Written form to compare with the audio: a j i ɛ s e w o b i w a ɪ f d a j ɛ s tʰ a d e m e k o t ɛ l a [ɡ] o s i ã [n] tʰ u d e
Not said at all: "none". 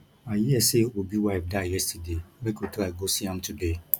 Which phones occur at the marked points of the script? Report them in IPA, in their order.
ɡ, m

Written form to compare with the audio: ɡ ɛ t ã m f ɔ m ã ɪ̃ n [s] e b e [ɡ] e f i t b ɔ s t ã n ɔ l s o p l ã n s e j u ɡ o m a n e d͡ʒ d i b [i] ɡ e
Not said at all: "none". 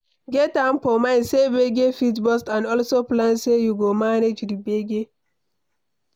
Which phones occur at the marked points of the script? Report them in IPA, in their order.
s, ɡ, e

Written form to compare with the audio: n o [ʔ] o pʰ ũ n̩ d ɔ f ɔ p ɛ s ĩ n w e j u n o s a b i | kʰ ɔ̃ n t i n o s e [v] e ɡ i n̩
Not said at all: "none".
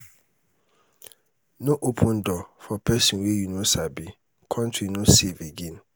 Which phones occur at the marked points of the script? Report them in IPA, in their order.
ʔ, v

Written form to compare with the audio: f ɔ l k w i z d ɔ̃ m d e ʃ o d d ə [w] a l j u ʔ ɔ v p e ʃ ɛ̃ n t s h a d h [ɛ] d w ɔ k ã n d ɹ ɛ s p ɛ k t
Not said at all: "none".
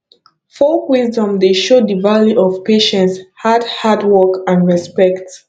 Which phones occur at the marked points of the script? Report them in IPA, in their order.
v, a

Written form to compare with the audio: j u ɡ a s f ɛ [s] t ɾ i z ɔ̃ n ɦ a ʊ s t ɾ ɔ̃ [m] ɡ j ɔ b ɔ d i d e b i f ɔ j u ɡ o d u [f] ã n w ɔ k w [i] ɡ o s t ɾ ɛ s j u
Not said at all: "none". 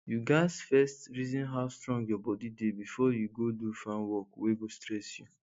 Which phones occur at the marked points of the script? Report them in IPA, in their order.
s, ŋ, f, e

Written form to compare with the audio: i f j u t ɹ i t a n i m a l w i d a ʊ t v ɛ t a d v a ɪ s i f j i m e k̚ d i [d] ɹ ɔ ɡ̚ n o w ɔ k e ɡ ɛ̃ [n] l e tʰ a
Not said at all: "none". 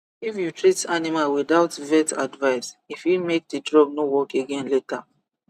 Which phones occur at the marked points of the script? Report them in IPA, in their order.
d, n

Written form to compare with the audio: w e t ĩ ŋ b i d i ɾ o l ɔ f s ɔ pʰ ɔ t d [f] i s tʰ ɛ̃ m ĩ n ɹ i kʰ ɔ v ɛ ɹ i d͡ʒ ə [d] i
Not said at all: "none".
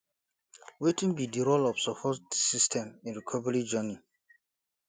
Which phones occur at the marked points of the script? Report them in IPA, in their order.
s, n

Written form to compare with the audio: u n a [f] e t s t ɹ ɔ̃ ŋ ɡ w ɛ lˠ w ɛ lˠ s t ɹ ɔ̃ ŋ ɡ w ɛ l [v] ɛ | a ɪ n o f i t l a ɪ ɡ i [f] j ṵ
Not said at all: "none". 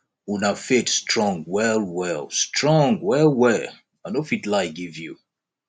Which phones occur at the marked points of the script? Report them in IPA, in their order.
f, w, v

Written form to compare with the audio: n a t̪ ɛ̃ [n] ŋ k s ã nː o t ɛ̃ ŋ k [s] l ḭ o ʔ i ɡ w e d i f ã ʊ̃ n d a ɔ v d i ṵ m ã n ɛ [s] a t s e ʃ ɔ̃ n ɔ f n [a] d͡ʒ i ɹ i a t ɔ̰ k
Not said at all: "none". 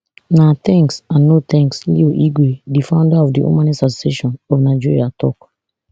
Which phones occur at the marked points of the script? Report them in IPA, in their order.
none, s, s, a

